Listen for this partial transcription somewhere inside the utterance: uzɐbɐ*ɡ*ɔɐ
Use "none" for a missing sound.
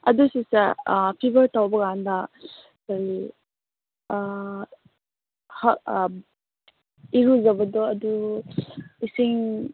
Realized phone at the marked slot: d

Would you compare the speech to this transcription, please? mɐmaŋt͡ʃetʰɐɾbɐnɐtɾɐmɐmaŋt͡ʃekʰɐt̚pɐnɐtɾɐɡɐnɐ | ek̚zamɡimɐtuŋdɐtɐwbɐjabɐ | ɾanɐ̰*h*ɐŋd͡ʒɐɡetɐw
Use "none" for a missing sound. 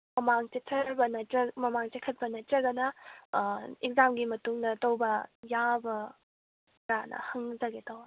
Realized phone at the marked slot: h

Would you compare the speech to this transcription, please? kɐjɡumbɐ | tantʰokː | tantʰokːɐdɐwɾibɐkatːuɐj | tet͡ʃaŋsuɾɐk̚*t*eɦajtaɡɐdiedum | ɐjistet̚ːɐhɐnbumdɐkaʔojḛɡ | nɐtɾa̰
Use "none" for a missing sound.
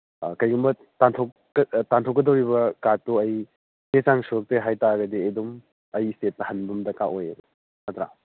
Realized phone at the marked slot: t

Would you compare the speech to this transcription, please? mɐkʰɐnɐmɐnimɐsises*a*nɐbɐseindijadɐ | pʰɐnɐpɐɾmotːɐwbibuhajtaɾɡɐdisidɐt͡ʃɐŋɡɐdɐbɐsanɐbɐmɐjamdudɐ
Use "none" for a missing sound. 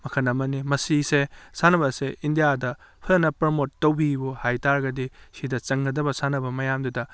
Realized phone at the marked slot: a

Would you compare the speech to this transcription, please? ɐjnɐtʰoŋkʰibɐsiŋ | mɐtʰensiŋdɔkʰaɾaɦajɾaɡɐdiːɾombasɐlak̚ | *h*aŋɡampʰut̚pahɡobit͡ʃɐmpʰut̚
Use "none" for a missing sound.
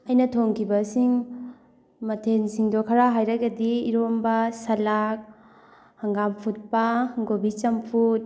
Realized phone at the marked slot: h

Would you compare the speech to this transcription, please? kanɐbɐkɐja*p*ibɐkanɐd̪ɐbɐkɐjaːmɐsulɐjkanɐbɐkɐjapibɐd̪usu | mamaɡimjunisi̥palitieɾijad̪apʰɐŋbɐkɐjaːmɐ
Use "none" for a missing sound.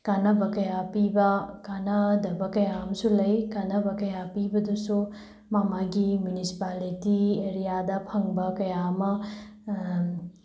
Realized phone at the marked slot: p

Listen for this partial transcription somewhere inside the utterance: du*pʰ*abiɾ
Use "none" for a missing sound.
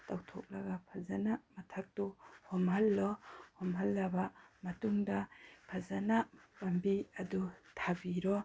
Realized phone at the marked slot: tʰ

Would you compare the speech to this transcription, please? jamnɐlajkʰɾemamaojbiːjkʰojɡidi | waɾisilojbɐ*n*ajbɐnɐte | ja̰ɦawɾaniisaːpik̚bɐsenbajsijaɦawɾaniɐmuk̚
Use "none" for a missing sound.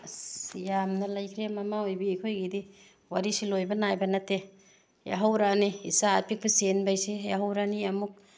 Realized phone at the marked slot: n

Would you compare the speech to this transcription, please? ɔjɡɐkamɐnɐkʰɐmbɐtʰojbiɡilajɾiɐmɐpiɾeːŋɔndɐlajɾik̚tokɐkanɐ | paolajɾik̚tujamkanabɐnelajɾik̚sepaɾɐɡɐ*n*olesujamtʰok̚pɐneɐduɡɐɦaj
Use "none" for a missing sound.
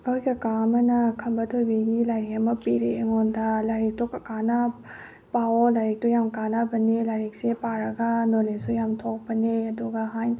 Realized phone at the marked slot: n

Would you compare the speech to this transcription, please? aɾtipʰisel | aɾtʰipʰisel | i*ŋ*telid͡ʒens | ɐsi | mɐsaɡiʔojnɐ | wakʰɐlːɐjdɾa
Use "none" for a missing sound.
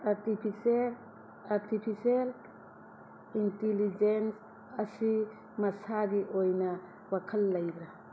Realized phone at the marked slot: n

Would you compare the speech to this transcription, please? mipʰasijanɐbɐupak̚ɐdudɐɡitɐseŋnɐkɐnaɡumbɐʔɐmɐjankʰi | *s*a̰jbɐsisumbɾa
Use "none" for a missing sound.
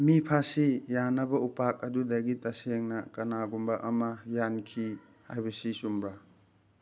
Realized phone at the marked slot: h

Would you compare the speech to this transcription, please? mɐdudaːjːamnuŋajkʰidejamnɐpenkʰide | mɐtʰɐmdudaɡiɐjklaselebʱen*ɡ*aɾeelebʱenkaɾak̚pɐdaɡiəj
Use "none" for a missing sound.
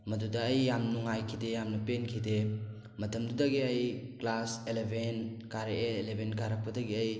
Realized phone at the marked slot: k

